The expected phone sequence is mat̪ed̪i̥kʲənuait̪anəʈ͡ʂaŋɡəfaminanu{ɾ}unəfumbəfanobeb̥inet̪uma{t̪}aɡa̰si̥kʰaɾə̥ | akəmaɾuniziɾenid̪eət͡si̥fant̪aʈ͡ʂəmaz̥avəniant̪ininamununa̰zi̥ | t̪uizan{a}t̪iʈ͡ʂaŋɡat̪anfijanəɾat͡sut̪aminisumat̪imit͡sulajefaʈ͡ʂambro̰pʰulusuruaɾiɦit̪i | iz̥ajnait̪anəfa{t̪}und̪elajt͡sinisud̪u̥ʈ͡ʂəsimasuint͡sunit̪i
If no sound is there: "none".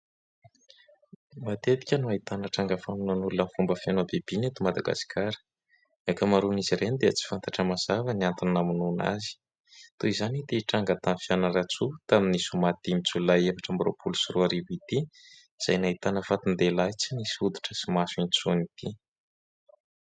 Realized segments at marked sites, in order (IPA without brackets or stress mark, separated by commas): l, d̪, i, t̪